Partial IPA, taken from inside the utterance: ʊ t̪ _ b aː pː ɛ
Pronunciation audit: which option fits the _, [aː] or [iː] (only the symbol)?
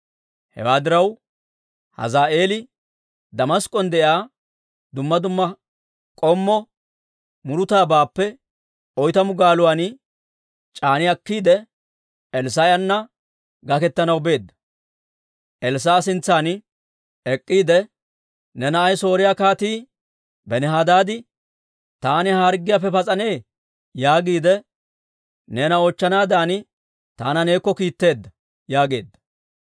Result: aː